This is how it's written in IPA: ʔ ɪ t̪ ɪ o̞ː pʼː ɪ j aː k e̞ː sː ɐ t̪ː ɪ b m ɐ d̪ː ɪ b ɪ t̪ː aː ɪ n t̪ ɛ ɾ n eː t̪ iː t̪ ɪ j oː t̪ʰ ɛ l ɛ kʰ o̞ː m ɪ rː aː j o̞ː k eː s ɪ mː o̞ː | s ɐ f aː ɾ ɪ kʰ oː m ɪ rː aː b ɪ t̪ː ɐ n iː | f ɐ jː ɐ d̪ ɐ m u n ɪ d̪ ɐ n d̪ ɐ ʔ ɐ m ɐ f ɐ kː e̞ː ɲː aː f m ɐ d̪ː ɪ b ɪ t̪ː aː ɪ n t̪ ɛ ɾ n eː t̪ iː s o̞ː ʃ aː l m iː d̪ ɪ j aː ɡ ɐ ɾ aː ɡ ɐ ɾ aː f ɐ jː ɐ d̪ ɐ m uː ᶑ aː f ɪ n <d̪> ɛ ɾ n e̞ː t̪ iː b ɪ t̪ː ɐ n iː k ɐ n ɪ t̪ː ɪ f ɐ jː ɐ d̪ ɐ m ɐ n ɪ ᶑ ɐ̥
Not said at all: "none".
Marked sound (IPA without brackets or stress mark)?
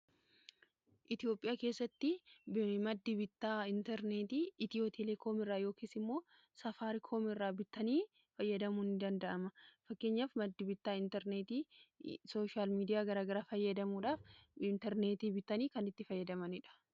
t̪